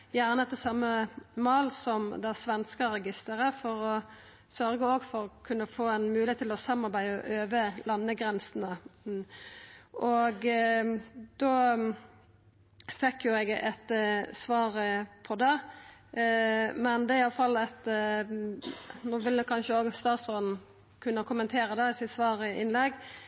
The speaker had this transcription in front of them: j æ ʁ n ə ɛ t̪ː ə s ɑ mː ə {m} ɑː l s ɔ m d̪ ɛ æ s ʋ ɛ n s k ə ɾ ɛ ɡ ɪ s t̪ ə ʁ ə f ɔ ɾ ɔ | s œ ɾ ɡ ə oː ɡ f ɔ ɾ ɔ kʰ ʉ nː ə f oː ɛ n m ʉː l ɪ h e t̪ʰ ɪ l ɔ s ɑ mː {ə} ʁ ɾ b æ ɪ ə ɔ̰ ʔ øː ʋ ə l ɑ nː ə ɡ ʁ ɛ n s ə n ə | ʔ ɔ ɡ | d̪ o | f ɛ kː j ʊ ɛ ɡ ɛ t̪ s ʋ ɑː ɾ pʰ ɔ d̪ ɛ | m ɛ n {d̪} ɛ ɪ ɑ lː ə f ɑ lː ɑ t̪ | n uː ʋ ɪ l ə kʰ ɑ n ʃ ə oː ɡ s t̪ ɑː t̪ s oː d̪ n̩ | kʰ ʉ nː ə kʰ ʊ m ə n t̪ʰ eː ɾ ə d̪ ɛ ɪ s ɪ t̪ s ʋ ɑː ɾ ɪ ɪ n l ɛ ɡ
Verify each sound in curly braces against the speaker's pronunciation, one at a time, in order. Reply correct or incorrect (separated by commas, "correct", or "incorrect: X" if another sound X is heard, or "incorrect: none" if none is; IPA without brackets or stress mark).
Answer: correct, incorrect: ɑ, correct